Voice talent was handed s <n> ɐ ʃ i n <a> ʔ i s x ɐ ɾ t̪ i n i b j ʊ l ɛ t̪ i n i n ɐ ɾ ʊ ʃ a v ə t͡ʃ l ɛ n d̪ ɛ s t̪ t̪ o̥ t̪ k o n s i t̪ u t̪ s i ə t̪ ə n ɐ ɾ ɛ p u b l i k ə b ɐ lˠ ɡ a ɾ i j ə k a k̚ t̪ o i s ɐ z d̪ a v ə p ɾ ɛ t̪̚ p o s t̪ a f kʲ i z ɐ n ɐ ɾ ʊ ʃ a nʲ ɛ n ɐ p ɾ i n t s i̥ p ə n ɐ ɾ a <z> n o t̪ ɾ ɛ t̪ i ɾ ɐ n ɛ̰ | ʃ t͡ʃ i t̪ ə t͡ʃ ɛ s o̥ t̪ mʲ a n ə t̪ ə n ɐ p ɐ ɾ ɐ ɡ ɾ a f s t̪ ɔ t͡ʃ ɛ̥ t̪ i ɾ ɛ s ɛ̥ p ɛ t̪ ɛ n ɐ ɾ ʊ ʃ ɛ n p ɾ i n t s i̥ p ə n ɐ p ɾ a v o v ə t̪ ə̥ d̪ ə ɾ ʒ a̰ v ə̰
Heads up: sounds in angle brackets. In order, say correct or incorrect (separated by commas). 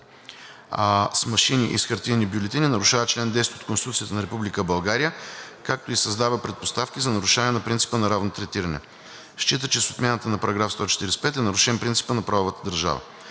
incorrect, incorrect, incorrect